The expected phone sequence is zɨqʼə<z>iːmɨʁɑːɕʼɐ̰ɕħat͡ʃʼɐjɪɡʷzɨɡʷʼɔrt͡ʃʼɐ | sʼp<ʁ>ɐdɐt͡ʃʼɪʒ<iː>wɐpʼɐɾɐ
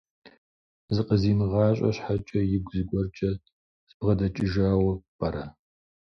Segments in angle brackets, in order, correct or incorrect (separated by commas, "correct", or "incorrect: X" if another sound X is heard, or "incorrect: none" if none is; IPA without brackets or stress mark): correct, correct, incorrect: aː